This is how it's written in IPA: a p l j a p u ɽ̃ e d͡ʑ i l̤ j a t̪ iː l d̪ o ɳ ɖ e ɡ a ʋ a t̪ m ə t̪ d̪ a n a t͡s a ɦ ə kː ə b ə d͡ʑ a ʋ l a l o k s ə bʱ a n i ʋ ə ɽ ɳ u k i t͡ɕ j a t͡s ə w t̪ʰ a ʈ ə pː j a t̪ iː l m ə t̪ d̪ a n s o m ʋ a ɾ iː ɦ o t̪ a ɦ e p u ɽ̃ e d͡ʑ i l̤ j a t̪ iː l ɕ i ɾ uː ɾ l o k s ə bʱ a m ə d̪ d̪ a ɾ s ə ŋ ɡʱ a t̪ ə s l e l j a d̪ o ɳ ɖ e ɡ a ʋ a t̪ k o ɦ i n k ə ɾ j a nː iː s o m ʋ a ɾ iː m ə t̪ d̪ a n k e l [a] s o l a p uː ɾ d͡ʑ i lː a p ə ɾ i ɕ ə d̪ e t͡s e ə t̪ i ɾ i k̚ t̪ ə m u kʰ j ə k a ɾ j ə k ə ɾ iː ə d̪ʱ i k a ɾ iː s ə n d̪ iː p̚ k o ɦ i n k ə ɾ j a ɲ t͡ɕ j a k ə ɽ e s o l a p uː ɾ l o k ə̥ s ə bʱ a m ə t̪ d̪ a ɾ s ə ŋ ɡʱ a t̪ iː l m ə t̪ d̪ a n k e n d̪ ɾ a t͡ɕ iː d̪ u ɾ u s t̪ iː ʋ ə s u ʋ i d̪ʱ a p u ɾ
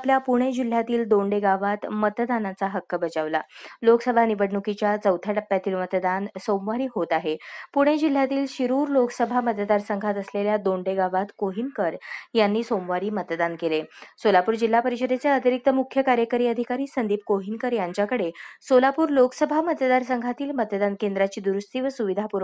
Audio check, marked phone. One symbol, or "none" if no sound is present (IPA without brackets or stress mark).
e